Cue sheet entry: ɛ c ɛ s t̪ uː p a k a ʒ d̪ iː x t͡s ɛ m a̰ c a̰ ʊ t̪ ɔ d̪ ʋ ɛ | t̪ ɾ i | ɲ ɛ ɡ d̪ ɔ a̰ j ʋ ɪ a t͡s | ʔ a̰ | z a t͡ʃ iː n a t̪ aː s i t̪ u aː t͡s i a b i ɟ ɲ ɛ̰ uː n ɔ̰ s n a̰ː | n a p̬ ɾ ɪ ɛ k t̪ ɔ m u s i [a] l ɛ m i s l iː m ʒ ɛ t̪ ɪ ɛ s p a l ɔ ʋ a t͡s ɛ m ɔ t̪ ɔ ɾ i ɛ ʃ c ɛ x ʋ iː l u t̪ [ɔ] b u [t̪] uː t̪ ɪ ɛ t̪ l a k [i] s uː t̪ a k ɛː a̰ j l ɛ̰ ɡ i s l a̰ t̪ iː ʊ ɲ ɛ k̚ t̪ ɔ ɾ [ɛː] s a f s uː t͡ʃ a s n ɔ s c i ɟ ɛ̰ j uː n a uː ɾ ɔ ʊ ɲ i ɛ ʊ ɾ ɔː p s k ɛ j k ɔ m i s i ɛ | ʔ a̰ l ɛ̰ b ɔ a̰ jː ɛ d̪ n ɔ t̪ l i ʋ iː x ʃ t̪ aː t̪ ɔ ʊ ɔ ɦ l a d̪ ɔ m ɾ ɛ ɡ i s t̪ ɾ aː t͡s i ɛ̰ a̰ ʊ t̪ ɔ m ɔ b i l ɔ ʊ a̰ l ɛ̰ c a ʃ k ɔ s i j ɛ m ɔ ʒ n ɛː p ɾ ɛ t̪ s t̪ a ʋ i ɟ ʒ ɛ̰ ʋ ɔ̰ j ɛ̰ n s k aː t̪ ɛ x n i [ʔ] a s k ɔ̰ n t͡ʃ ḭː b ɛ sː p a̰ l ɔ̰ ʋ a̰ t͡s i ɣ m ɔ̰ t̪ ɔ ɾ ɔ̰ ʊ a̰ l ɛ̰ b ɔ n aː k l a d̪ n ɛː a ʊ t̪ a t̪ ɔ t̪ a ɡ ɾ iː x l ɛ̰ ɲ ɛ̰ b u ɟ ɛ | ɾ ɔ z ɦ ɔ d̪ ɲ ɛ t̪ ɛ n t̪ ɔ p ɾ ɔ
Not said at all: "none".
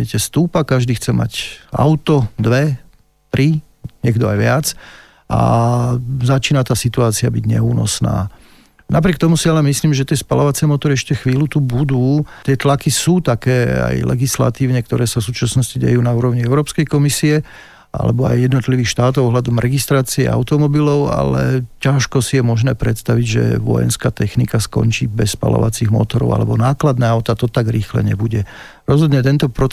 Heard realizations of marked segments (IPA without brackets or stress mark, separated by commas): a, u, d̪, i, ɛː, k